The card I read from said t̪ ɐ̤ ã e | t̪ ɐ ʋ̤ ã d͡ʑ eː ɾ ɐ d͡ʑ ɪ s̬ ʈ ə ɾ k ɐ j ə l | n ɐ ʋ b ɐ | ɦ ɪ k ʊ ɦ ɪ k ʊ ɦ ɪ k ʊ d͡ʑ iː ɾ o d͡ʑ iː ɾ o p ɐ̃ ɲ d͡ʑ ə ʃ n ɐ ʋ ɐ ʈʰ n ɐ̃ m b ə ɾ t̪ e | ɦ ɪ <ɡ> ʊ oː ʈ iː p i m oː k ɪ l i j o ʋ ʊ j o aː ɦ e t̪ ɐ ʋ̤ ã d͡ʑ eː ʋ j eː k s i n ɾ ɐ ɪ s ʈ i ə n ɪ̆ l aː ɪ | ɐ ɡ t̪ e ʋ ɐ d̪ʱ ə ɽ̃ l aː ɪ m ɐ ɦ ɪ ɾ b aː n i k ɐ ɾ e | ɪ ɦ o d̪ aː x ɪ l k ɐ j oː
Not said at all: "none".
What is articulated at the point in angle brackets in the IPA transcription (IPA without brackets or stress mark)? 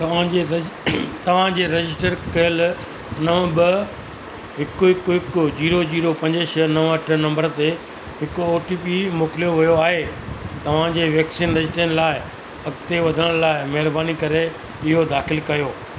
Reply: k